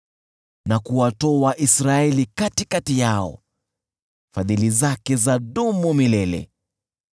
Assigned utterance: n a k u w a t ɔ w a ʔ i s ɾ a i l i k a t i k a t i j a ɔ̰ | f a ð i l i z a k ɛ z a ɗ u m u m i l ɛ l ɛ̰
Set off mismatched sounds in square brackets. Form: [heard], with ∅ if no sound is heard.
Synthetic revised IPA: n a k u w a t ɔ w a ʔ i s ɾ a [ɛ] l i k a t i k a t i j a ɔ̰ | f a ð i l i z a k ɛ z a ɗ u m u m i l ɛ l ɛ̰